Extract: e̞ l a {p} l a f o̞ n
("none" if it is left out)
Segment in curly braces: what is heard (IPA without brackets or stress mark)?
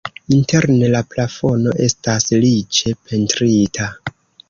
p